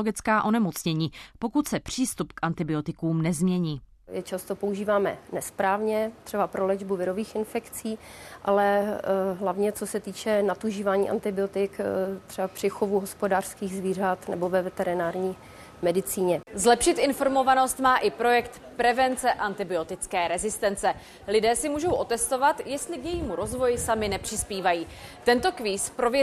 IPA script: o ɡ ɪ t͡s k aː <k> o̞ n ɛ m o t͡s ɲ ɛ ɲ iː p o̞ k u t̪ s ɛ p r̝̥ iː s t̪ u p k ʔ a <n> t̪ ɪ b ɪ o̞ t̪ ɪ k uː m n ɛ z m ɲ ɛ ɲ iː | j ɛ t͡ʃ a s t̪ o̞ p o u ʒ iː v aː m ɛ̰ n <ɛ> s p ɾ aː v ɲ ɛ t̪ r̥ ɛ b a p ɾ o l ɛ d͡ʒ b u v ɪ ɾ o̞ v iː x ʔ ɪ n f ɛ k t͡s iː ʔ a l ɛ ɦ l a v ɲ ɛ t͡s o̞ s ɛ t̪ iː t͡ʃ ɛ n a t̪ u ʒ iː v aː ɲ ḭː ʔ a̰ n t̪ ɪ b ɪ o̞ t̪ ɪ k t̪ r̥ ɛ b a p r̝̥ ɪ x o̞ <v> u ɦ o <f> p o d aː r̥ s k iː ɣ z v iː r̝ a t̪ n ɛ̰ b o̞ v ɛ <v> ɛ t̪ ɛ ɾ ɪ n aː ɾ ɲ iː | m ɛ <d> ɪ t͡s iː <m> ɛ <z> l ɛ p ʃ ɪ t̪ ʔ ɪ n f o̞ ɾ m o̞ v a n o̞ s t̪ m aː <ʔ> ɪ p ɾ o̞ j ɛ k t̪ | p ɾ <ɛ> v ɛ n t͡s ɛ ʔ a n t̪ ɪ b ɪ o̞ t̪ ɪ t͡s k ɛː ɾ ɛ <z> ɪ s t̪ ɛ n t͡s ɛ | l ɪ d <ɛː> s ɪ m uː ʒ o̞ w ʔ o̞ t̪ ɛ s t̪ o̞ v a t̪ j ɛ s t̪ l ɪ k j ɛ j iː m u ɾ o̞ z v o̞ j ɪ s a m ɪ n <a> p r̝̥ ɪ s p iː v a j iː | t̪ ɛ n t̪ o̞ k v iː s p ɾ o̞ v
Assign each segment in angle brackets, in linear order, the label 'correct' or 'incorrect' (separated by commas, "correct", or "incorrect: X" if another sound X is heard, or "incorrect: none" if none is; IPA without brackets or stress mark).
incorrect: ʔ, correct, correct, correct, incorrect: s, correct, correct, incorrect: ɲ, correct, correct, correct, correct, correct, incorrect: ɛ